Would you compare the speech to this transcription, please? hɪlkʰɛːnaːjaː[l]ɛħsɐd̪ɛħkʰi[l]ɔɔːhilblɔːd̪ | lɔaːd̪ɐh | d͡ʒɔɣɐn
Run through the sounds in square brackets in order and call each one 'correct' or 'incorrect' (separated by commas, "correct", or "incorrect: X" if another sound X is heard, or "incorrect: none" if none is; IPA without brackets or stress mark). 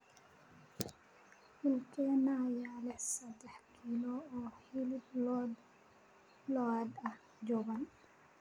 correct, correct